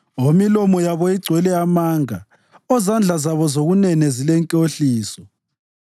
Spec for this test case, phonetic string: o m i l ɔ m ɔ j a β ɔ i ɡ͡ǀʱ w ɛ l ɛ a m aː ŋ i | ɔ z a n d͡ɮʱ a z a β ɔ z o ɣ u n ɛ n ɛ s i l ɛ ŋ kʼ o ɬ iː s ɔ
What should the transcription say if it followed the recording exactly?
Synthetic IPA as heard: o m i l ɔ m ɔ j a β ɔ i ɡ͡ǀʱ w ɛ l ɛ a m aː ŋ a | ɔ z a n d͡ɮʱ a z a β ɔ z o ɣ u n ɛ n ɛ z i l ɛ ŋ kʼ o ɬ iː s ɔ